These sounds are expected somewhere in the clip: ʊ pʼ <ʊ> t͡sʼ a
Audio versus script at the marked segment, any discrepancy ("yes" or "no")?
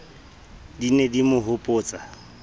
yes